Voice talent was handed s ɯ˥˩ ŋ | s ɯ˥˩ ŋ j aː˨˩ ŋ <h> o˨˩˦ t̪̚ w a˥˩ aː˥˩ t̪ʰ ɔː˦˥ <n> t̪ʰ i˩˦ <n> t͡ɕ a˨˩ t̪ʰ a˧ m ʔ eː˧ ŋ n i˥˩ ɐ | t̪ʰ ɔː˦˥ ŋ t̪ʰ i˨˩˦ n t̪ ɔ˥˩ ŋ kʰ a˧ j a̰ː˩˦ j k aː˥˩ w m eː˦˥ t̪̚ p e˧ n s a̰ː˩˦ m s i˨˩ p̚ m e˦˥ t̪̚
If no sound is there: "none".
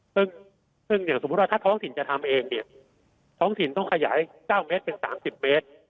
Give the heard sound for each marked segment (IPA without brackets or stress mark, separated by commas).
s, ŋ, n